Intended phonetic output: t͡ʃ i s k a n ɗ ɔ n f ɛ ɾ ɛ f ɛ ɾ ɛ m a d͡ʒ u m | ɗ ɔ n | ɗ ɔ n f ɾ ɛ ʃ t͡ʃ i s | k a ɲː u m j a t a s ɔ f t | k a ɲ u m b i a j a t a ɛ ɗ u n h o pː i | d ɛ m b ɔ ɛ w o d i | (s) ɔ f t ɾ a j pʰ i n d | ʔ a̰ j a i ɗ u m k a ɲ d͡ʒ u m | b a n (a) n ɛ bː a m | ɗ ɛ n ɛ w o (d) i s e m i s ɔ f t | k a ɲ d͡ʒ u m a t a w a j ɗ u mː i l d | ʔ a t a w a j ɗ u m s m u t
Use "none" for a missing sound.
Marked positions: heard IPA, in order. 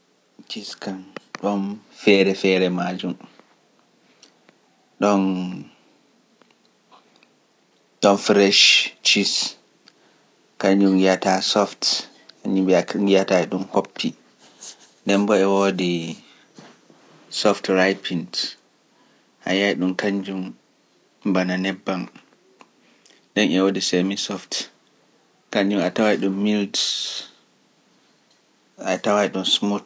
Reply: s, a, d

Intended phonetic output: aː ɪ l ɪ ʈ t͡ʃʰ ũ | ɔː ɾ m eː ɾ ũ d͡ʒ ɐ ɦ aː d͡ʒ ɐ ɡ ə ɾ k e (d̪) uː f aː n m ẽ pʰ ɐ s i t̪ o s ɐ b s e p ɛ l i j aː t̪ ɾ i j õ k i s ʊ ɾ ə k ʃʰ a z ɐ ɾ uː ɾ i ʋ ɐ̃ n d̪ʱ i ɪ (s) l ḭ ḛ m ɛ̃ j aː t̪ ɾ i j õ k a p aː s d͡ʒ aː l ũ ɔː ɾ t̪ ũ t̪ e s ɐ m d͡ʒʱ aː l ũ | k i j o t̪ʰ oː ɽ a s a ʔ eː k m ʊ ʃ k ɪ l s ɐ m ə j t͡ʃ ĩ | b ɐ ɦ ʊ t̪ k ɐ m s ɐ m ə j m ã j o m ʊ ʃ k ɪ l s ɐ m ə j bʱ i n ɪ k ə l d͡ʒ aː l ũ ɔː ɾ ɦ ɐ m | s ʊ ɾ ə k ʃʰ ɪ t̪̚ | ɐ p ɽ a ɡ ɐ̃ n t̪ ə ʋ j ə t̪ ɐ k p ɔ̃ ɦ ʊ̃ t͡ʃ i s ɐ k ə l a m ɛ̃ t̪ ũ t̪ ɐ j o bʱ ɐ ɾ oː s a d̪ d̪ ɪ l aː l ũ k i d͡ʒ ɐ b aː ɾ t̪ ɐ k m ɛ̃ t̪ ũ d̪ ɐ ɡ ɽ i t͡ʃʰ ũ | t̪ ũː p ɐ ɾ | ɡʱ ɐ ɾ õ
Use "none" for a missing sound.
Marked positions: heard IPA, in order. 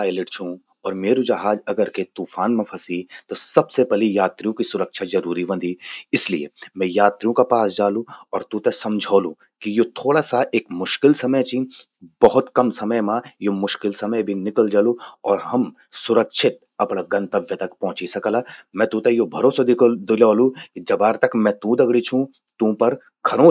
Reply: t̪, s

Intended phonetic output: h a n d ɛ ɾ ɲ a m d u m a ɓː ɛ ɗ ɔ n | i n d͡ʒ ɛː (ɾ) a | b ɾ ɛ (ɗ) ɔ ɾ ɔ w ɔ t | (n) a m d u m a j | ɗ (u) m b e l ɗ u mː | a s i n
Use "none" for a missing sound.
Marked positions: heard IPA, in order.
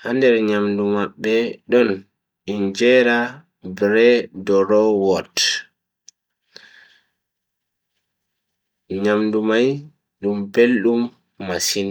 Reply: ɾ, d, ɲ, u

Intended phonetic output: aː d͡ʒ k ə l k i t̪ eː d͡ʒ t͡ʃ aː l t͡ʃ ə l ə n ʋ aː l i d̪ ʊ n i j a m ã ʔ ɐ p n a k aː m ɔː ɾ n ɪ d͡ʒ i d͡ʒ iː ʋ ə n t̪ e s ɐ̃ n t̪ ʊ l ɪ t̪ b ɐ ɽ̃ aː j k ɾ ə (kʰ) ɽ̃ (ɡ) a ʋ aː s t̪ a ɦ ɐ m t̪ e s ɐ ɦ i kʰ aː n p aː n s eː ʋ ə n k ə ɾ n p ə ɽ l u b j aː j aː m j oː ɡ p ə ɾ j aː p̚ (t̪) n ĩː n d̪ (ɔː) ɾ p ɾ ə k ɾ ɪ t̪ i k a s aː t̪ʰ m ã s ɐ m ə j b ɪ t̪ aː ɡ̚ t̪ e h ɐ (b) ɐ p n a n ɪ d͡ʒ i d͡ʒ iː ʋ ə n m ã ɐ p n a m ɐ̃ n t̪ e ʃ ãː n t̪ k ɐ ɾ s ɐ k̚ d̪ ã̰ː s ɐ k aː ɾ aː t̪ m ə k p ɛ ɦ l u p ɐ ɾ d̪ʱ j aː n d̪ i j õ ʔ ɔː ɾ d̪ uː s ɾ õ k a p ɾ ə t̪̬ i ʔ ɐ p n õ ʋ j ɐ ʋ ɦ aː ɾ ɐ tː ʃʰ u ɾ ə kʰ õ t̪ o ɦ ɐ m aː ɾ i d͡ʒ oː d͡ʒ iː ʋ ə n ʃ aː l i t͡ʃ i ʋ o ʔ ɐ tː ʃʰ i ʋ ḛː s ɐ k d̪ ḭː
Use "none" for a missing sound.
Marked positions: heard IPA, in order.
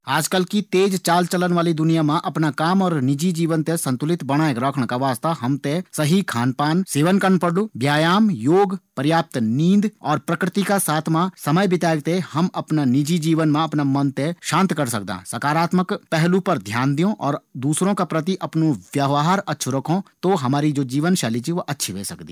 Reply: kʰ, k, t̪, ɔː, m

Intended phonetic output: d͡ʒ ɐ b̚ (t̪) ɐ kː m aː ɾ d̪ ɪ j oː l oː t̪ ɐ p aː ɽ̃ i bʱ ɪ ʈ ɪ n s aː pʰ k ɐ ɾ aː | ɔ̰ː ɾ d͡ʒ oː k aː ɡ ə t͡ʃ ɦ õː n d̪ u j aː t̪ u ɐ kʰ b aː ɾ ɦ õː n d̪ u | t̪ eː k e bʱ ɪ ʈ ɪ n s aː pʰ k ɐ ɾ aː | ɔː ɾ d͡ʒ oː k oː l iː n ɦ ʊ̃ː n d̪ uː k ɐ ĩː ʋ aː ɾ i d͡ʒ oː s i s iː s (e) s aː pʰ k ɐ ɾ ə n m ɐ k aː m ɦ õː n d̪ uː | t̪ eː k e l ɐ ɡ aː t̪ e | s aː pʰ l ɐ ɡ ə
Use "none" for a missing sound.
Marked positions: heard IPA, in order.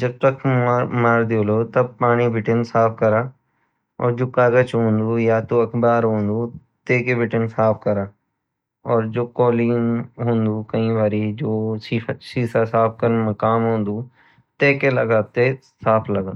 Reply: t̪, a

